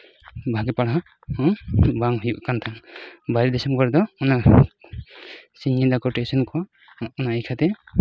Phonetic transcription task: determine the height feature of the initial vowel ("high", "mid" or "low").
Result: low